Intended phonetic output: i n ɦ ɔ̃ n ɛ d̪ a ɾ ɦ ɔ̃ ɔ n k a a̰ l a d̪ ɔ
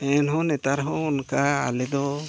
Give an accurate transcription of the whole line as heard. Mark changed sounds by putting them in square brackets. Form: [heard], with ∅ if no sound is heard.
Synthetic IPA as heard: [ɛ] n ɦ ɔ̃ n ɛ [t̪] a ɾ ɦ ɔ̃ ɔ n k a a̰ l [ɛ] d̪ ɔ